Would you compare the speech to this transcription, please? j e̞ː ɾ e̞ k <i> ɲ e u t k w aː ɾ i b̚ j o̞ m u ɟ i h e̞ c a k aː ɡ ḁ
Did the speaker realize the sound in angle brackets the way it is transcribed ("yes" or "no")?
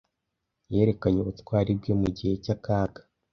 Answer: no